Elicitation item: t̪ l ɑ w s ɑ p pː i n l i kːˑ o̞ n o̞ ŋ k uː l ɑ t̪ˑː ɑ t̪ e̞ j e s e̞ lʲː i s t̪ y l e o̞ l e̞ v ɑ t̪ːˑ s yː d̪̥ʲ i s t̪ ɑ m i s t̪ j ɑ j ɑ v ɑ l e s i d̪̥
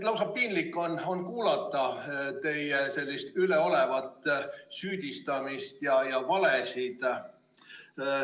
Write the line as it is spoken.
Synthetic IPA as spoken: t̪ l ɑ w s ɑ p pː i n l i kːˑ o̞ n o̞ n k uː l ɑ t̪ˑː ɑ t̪ e̞ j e s e̞ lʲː i s t̪ y l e o̞ l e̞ v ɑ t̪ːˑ s yː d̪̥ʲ i s t̪ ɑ m i s t̪ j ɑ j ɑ v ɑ l e s i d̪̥